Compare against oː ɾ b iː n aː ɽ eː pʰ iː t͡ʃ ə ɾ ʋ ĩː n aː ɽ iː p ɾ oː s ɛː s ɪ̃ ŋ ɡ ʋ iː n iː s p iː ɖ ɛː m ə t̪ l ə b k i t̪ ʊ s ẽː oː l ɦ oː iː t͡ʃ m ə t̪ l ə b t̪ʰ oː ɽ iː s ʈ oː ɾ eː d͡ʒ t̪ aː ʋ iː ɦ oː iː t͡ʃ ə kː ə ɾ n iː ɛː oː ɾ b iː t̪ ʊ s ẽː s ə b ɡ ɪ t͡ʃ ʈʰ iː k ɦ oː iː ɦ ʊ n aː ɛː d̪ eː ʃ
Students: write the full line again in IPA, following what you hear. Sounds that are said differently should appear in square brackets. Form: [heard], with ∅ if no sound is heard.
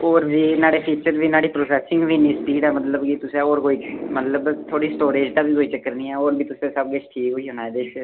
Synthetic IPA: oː ɾ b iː n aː ɽ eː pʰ iː t͡ʃ ə ɾ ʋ [iː] n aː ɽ iː p ɾ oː s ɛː s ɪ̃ ŋ ɡ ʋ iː n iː s p iː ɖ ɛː m ə t̪ l ə b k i t̪ ʊ s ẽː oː [ɾ] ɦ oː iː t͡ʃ m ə t̪ l ə b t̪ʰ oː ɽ iː s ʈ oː ɾ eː d͡ʒ t̪ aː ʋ iː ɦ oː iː t͡ʃ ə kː ə ɾ n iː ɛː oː ɾ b iː t̪ ʊ s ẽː s ə b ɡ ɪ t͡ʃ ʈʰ iː k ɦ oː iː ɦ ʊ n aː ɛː d̪ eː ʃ